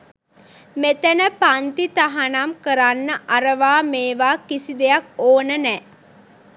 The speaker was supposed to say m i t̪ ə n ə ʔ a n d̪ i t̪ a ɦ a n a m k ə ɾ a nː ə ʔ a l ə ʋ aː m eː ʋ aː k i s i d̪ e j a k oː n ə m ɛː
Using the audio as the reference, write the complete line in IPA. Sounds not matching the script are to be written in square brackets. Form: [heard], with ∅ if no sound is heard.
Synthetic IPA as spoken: m [e] t̪ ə n ə [p] a n [t̪] i t̪ a ɦ a n a m k ə ɾ a nː ə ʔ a [ɾ] ə ʋ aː m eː ʋ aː k i s i d̪ e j a k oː n ə [n] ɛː